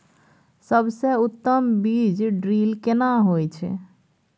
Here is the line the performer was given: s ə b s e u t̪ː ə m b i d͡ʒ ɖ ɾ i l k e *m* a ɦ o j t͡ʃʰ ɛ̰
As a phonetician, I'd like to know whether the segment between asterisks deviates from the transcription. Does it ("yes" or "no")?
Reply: yes